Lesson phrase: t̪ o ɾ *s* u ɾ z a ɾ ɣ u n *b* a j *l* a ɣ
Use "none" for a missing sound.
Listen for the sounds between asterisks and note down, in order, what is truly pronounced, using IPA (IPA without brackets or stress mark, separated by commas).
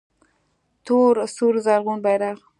s, b, ɾ